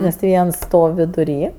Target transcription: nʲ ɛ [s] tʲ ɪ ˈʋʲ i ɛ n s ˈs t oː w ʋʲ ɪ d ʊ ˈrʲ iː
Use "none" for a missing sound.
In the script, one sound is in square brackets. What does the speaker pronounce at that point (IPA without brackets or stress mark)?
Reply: s